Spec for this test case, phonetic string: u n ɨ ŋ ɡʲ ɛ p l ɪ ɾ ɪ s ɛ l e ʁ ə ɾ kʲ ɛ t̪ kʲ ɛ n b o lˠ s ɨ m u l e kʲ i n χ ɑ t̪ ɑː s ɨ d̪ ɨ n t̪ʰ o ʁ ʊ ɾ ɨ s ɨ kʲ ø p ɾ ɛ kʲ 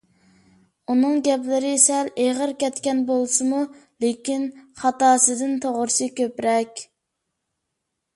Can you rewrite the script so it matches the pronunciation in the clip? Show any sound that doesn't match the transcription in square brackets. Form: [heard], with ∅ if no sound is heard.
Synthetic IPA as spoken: u n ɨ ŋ ɡʲ ɛ p l ɪ ɾ ɪ s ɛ l e ʁ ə ɾ kʲ ɛ t̪ kʲ ɛ n b o lˠ s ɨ m u l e kʲ i n χ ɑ t̪ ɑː s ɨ d̪ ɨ n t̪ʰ o ʁ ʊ ɾ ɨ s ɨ kʲ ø p ɾ ɛ kʲ